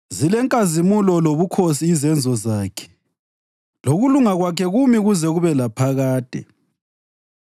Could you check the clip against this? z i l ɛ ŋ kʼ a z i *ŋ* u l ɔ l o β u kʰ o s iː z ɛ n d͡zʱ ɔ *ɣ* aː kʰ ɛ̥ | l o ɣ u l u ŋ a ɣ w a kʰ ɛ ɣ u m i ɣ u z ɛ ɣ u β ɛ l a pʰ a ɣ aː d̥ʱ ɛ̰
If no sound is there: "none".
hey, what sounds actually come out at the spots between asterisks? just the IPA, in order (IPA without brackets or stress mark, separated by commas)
m, z